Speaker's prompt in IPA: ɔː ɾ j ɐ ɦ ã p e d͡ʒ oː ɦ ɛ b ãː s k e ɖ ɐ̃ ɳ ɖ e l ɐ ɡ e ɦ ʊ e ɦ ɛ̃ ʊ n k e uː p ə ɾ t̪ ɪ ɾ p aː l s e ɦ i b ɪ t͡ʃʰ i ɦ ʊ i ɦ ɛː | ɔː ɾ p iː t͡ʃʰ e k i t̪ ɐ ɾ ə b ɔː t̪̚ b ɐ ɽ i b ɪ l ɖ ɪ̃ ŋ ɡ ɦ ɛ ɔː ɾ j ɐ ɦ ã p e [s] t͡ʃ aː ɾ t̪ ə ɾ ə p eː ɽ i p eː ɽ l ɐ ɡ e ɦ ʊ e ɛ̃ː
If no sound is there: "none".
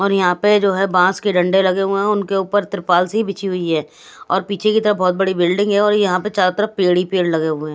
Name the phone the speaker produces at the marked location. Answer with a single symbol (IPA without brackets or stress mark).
none